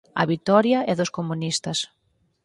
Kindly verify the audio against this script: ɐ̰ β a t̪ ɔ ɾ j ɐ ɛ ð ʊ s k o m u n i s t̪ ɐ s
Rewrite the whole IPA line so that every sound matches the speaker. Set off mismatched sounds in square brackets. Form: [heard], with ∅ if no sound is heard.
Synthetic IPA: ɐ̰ β [i] t̪ ɔ ɾ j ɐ ɛ ð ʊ s k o m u n i s t̪ ɐ s